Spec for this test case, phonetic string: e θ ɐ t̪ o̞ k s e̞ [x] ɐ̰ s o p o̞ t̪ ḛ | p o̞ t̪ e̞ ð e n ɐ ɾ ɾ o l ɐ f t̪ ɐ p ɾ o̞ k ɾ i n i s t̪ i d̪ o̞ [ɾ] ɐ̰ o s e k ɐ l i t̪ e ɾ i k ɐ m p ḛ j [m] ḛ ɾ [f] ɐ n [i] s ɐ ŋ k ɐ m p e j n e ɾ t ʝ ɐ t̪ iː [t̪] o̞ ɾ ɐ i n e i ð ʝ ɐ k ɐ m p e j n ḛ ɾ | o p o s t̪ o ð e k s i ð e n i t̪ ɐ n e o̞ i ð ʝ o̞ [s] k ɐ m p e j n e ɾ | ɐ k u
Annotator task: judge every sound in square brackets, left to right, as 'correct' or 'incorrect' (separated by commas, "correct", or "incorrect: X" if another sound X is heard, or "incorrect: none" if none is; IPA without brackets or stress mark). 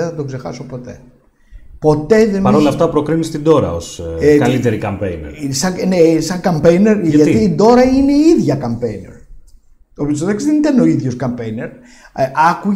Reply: correct, correct, incorrect: n, incorrect: s, incorrect: e, incorrect: d̪, correct